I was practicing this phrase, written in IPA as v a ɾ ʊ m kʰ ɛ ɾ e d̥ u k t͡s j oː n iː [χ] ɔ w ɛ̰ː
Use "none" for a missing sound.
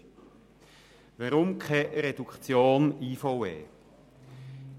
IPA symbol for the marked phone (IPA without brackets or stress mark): f